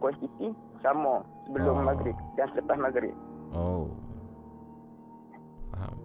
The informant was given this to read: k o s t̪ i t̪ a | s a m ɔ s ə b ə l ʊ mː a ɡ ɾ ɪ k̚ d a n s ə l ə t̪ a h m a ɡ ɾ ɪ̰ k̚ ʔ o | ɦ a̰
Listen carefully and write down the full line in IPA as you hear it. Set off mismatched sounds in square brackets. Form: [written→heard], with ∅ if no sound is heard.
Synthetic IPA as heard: k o s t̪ i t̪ [a→i] | s a m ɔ s ə b ə l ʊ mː a ɡ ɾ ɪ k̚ d a n s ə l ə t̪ a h m a ɡ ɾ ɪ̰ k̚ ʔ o | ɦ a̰